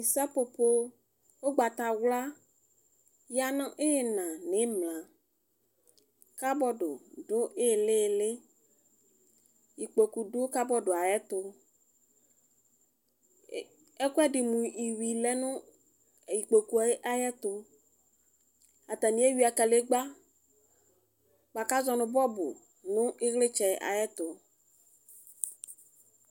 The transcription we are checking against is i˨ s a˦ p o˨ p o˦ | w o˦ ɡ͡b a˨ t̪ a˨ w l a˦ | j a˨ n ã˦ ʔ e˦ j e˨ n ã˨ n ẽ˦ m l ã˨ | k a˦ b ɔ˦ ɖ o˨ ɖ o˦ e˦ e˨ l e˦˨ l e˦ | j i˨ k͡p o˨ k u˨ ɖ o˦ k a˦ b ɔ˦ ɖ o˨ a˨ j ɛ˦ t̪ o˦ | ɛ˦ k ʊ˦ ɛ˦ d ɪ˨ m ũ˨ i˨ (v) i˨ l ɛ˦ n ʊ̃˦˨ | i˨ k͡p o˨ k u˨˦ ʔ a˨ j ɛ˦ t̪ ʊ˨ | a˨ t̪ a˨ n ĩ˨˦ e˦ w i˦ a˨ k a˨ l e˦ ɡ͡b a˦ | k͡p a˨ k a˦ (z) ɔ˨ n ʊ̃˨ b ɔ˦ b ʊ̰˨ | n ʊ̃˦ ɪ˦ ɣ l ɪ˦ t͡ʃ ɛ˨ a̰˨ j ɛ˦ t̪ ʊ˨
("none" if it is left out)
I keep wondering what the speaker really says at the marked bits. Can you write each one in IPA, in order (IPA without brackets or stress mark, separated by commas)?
w, z